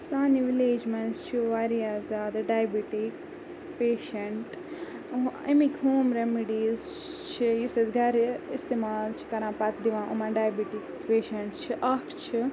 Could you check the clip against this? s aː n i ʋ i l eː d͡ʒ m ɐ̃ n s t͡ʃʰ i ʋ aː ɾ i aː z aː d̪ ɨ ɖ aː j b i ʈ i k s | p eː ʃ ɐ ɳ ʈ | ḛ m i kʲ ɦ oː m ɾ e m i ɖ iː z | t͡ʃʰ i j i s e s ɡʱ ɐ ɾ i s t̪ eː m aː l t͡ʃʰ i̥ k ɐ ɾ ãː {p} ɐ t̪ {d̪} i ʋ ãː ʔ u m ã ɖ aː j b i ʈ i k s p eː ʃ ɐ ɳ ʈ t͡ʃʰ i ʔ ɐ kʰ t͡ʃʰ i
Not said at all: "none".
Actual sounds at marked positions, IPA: p, d̪

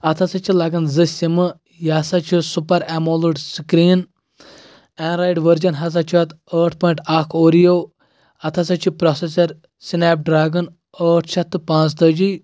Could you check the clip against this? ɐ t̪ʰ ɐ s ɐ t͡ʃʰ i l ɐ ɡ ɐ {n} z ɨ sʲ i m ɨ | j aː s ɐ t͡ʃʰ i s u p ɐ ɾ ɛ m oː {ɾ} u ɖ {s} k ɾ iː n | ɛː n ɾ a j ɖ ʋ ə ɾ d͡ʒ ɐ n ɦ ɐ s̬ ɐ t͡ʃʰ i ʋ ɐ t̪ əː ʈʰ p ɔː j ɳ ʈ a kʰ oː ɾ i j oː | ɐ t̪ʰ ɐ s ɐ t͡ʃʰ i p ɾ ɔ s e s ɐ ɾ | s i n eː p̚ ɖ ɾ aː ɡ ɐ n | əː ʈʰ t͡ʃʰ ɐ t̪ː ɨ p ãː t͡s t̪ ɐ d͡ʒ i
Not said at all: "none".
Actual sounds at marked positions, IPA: n, l, s

